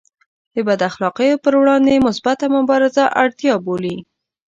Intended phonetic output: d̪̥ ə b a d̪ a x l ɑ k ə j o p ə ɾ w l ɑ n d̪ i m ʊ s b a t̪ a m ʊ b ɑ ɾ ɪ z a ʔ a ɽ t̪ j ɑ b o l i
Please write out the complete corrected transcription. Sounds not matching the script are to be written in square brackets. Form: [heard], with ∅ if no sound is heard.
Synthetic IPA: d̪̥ ə b a d̪ a x l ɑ [q] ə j o p ə ɾ w [ɽ] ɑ n d̪ [e] m ʊ s b a t̪ a m ʊ b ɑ ɾ ɪ z a ʔ a ɽ t̪ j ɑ b o l i